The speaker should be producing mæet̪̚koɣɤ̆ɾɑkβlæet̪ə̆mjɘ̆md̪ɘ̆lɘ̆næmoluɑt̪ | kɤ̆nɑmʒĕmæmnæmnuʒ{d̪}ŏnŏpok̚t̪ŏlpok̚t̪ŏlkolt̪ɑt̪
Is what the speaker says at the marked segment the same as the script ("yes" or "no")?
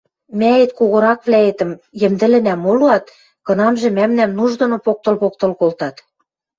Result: yes